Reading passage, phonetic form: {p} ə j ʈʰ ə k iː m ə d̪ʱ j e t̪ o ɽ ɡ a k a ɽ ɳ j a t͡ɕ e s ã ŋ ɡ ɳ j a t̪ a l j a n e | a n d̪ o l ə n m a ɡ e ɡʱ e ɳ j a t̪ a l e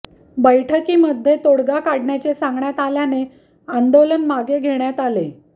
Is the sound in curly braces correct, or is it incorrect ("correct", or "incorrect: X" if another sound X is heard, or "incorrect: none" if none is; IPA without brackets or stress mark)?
incorrect: b